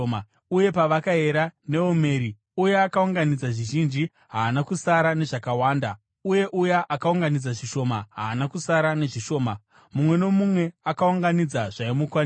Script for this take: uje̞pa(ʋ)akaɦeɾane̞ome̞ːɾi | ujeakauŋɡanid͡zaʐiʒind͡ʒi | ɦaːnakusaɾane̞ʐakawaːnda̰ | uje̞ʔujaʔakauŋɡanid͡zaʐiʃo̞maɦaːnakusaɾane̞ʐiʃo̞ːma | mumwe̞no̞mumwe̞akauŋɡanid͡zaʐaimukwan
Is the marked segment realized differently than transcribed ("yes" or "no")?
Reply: no